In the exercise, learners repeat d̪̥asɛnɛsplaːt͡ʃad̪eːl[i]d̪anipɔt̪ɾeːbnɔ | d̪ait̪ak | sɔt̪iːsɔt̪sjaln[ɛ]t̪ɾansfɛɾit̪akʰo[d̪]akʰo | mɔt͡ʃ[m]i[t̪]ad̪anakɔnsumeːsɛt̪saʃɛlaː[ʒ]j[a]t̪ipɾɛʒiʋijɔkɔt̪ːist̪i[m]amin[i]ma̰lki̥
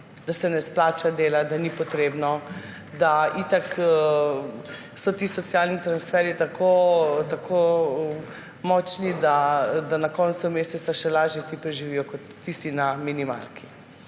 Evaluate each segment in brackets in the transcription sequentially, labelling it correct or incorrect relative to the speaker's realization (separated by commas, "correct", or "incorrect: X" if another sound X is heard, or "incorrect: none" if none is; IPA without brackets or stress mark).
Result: incorrect: a, incorrect: i, incorrect: t̪, incorrect: n, incorrect: d̪, correct, incorrect: ɛ, incorrect: n, correct